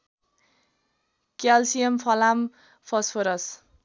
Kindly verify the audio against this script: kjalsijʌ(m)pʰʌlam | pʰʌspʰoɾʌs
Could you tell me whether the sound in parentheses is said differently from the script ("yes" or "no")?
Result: no